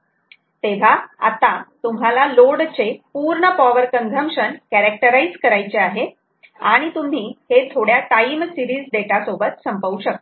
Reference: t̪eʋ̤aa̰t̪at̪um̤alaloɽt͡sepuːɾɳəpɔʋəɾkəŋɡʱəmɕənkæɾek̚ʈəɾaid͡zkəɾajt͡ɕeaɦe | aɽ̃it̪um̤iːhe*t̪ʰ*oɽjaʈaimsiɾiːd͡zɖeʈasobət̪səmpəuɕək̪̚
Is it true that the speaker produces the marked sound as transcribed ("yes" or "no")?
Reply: yes